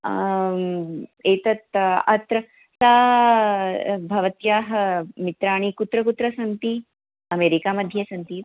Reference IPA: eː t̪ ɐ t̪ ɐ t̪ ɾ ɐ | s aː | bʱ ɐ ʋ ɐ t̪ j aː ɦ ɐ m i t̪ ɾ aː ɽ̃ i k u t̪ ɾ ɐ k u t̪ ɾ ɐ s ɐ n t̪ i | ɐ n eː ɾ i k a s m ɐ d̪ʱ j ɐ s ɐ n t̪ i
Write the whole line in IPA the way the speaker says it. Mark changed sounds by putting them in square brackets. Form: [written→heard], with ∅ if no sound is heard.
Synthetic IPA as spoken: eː t̪ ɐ t̪ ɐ t̪ ɾ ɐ | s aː | bʱ ɐ ʋ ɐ t̪ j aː ɦ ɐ m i t̪ ɾ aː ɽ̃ i k u t̪ ɾ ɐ k u t̪ ɾ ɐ s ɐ n t̪ i | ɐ [n→m] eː ɾ i k a [s→∅] m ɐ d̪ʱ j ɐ s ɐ n t̪ i